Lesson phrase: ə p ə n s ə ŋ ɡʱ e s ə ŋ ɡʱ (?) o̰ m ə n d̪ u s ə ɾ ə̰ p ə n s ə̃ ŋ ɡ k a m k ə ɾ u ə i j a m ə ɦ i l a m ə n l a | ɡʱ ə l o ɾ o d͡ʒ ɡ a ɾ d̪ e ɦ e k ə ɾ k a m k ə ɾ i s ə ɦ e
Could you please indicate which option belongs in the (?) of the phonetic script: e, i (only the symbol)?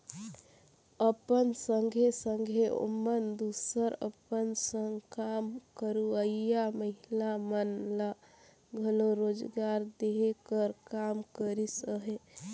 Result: e